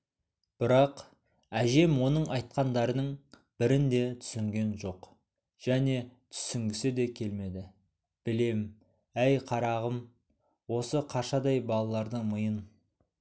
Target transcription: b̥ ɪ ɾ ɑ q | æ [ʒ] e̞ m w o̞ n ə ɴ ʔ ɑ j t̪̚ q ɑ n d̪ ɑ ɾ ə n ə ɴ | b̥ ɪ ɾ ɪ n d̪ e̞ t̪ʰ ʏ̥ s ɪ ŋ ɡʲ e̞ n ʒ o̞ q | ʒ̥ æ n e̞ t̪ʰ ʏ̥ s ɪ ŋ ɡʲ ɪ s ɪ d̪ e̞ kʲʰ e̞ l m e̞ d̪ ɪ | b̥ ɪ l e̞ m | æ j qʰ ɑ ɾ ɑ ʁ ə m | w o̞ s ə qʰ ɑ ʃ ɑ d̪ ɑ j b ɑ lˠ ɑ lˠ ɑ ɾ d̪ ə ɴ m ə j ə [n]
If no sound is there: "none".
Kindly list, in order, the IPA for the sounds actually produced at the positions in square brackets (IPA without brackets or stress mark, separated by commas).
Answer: ʒ, n